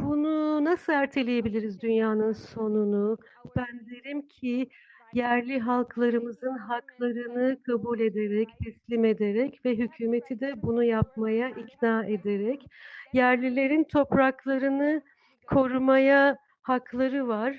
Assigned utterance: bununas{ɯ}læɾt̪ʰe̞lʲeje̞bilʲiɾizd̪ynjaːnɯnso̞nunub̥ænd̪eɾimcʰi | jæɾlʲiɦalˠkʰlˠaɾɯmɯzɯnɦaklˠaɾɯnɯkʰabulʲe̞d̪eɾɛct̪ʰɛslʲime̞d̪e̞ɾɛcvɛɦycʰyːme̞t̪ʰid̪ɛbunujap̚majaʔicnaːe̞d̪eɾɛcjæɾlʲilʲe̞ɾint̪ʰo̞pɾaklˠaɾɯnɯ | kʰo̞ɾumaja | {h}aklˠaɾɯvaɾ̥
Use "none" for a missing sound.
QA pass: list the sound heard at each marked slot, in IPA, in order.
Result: ɯ, h

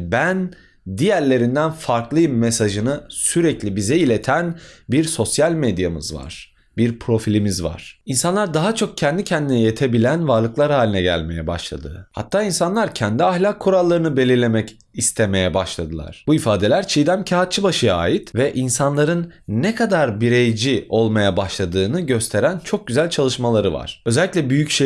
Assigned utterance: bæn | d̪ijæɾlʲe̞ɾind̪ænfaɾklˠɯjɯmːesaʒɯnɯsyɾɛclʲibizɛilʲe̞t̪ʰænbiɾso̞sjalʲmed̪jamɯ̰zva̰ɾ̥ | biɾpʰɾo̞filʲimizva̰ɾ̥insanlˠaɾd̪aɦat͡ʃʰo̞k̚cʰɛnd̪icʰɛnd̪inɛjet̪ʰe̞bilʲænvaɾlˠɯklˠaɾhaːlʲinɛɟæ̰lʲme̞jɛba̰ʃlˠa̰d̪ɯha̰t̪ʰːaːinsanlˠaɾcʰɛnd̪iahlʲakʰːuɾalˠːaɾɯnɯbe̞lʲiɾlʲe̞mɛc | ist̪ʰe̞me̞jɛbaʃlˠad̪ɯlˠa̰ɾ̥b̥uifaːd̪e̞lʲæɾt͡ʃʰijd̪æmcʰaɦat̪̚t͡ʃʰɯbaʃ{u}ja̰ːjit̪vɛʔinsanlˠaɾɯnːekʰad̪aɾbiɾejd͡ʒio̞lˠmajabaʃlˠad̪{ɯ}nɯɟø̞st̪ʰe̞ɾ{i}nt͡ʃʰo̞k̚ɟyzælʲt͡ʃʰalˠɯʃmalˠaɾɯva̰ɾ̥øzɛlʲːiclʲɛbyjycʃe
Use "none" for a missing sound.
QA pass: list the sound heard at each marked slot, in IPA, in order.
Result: ɯ, ɯː, æ

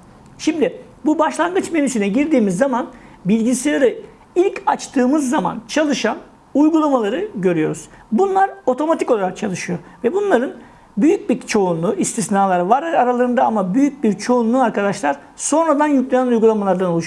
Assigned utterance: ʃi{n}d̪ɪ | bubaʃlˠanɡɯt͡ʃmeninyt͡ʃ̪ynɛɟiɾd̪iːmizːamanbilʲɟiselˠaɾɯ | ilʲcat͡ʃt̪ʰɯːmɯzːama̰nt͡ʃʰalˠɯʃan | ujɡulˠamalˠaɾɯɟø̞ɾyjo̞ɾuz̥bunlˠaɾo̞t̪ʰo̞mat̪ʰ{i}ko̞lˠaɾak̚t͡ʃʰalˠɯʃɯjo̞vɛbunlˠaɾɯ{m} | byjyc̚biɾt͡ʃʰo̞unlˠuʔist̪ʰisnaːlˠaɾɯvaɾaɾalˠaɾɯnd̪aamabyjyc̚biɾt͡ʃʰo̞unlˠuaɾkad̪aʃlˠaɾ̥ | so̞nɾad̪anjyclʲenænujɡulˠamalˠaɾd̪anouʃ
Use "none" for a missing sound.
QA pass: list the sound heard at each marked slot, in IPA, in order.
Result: m, i, n

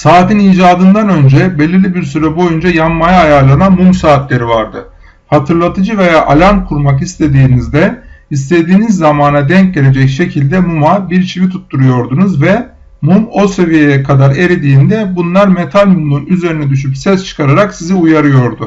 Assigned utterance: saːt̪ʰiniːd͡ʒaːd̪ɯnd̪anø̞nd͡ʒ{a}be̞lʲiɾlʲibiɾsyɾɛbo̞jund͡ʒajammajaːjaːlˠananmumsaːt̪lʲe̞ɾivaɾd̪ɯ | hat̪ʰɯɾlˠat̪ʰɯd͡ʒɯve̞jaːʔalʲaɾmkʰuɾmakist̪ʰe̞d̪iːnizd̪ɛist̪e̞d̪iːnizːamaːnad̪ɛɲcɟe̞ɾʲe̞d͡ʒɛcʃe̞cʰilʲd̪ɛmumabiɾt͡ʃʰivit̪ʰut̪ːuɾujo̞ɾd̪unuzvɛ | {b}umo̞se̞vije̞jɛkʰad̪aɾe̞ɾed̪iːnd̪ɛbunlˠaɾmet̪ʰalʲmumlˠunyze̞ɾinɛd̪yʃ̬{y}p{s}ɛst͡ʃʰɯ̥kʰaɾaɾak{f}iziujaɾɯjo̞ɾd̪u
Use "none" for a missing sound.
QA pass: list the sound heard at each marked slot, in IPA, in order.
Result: ɛ, m, y, s, s

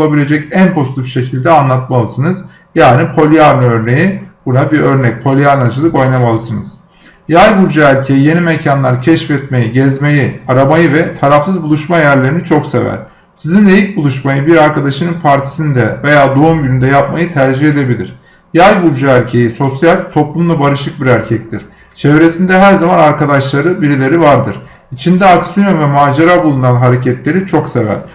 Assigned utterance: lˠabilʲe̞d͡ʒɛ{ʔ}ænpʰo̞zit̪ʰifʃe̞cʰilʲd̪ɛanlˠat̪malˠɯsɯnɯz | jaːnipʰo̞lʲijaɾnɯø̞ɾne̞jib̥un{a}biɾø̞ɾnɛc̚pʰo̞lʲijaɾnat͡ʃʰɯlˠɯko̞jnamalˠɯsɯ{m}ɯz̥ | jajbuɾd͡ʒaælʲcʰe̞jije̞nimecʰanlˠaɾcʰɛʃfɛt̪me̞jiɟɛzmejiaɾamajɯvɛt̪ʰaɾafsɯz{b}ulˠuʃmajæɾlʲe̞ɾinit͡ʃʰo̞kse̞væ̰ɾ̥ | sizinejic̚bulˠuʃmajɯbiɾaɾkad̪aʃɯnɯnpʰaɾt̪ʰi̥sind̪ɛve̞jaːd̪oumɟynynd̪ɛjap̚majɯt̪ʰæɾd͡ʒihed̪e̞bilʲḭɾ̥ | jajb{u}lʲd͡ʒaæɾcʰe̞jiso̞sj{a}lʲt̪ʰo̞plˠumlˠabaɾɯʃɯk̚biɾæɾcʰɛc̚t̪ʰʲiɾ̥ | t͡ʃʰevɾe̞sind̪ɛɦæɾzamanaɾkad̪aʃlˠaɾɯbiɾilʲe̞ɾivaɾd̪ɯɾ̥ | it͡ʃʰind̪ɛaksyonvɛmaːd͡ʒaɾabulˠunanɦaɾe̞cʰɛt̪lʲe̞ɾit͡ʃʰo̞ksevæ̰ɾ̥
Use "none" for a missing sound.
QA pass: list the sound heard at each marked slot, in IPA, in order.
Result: c, a, n, b, u, a

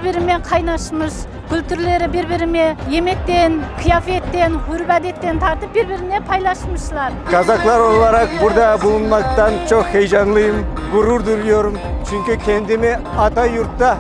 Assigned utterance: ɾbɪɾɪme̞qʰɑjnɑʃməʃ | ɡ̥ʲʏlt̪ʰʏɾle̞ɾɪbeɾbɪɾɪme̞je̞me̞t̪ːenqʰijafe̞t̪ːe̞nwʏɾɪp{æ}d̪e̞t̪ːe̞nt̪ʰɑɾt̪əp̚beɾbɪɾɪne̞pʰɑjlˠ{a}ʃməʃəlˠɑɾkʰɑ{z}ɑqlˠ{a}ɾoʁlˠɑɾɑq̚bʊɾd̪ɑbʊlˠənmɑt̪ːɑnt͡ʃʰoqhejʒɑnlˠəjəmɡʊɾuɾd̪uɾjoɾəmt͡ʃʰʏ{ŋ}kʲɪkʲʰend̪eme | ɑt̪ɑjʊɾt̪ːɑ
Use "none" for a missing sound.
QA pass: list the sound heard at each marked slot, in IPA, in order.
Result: æ, ɑ, z, ɑ, ŋ

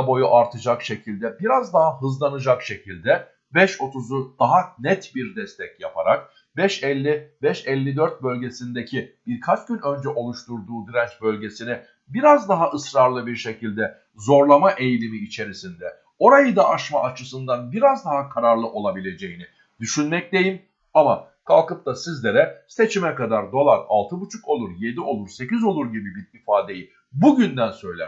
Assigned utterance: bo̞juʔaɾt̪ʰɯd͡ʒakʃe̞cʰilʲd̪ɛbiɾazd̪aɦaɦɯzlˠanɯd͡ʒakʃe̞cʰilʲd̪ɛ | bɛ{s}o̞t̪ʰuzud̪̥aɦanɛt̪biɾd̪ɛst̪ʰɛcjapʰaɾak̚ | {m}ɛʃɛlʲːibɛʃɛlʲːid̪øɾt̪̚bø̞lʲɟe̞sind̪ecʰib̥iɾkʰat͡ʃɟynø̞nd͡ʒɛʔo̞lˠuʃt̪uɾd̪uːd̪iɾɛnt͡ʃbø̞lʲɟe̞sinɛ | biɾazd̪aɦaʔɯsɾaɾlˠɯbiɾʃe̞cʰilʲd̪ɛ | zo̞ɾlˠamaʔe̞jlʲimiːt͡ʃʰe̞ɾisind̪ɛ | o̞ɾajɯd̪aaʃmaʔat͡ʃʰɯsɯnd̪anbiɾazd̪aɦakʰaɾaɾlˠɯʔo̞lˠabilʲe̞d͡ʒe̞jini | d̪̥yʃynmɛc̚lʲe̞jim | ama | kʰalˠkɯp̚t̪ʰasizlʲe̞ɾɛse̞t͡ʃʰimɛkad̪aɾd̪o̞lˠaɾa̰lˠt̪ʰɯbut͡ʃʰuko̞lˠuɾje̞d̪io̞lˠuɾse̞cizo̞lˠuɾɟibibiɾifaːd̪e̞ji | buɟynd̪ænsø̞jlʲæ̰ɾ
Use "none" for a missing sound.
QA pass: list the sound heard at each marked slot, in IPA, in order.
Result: ʃ, b

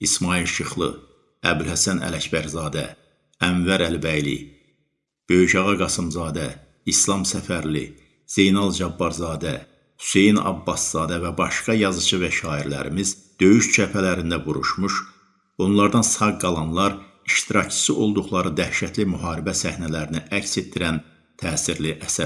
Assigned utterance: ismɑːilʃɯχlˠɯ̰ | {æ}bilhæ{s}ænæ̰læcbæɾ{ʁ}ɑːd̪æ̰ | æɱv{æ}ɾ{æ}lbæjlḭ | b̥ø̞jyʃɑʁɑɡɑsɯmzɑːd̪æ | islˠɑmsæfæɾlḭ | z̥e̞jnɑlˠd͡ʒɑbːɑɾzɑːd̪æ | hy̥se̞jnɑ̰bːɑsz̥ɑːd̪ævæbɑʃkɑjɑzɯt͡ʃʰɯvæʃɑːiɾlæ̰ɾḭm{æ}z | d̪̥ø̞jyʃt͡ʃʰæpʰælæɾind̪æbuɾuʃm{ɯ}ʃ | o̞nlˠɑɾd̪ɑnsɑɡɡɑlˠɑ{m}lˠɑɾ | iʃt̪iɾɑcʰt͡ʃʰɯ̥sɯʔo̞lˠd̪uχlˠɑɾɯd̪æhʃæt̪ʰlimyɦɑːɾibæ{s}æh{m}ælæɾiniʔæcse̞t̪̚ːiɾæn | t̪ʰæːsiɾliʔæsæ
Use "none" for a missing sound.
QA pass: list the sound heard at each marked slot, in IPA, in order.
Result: æ, s, z, æ, æ, i, u, n, s, n

